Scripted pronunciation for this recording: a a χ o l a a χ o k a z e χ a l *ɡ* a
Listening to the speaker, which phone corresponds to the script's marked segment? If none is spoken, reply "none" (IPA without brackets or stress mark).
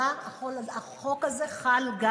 ɡ